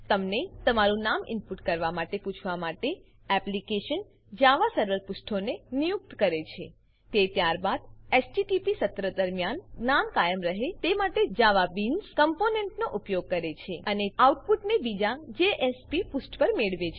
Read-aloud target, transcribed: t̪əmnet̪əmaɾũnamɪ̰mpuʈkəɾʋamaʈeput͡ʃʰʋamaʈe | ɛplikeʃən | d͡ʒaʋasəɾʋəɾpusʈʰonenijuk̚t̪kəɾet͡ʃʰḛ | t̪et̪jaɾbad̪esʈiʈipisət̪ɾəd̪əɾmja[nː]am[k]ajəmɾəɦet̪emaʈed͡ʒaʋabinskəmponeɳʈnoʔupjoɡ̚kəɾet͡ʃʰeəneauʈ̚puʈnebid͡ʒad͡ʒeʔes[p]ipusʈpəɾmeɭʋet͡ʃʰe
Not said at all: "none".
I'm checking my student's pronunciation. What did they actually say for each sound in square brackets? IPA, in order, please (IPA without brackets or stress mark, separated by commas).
nː, k, p